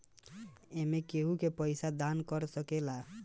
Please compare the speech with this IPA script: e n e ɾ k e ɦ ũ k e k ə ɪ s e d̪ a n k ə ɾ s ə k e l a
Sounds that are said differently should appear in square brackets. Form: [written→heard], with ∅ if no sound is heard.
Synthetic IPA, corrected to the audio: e [n→m] e [ɾ→∅] k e ɦ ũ k e [k→p] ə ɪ s [e→a] d̪ a n k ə ɾ s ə k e l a